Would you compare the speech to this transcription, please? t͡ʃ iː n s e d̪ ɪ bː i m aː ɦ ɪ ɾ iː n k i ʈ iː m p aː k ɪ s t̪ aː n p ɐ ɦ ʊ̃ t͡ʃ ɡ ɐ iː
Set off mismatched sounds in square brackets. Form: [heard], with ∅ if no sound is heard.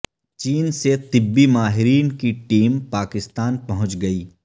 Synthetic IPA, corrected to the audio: t͡ʃ iː n s e [t̪] ɪ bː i m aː ɦ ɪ ɾ iː n k i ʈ iː m p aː k ɪ s t̪ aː n p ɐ ɦ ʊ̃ t͡ʃ ɡ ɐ iː